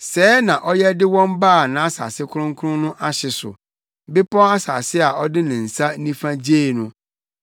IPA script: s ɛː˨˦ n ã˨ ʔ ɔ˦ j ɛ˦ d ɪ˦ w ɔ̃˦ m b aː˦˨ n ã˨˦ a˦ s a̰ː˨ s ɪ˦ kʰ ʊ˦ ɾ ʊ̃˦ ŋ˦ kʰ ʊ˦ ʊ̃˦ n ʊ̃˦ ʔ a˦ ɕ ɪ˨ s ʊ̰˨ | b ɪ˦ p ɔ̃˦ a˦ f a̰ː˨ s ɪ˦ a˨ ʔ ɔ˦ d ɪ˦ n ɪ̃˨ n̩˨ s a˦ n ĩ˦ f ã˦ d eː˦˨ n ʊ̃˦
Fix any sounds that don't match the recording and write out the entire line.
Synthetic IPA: s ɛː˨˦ n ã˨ ʔ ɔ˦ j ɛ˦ d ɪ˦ w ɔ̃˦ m b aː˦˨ n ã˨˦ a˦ s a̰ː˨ s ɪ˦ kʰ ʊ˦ ɾ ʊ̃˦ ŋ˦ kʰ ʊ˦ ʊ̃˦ n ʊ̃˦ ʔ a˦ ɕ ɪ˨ s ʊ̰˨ | b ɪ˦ p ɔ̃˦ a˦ s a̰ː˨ s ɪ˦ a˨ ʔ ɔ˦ d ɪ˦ n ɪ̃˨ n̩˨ s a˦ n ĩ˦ f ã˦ d͡ʑ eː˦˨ n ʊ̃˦